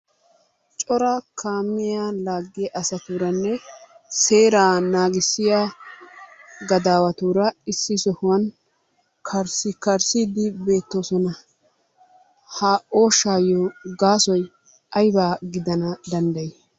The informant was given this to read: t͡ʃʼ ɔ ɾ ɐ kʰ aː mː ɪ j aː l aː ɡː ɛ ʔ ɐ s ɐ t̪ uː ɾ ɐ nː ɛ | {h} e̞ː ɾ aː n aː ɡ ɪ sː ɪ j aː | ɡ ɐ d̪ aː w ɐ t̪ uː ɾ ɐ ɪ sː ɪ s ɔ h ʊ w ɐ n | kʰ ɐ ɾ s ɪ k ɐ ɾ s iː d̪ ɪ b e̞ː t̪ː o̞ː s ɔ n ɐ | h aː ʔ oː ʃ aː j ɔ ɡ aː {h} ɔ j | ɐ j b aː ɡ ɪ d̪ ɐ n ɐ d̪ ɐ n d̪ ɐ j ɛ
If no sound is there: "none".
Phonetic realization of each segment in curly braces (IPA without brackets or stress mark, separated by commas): s, s